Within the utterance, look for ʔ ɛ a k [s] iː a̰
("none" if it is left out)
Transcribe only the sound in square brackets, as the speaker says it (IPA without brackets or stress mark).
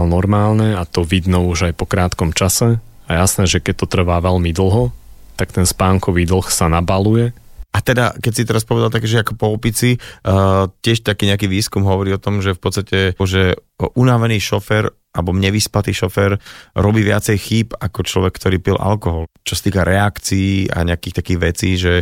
t͡s